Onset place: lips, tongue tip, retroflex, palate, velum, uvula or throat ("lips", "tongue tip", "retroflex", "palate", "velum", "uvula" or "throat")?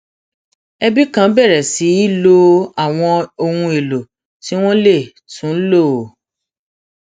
lips